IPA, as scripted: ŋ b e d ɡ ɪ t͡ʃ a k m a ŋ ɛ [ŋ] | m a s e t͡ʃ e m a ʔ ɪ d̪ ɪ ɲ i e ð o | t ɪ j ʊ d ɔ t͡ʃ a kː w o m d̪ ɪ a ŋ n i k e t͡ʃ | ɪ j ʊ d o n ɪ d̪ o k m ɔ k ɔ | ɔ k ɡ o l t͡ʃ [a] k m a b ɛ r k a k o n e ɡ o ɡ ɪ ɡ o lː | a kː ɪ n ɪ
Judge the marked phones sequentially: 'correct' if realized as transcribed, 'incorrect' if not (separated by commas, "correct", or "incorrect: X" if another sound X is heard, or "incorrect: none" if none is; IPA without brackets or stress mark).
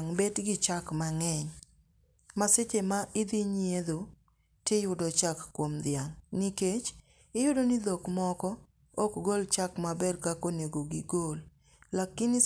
incorrect: ɲ, correct